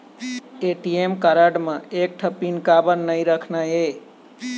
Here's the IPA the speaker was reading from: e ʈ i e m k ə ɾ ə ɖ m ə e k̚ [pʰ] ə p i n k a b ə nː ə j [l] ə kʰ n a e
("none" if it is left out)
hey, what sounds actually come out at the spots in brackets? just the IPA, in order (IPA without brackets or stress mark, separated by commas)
ʈʰ, ɾ